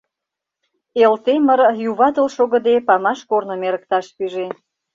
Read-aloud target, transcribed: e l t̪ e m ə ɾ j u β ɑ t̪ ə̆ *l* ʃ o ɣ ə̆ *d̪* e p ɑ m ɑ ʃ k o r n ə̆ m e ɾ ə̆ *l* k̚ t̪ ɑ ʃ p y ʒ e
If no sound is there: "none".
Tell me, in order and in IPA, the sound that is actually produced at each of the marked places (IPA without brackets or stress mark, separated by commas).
l, d̪, none